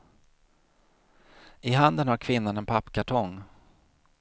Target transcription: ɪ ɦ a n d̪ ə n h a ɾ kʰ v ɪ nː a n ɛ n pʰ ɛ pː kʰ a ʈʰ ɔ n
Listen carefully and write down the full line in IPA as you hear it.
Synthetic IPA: ɪ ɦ a n d̪ ə n h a ɾ kʰ v ɪ nː a n ɛ n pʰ a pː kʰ a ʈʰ ɔ ŋ